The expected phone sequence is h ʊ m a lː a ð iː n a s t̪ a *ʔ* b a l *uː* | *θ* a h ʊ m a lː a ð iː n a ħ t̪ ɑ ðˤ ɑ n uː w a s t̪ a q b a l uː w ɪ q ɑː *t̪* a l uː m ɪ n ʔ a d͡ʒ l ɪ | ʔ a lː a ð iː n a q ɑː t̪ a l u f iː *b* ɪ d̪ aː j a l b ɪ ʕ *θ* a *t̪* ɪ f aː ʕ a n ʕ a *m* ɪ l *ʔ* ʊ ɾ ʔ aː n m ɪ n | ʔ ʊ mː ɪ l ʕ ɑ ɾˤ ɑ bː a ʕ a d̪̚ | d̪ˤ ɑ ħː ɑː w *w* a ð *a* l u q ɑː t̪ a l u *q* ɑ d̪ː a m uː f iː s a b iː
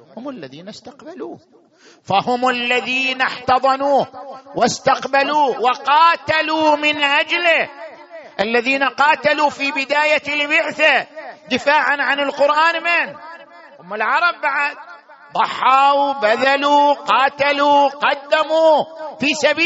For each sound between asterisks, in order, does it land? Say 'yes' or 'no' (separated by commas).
no, yes, no, yes, yes, yes, no, no, no, no, yes, yes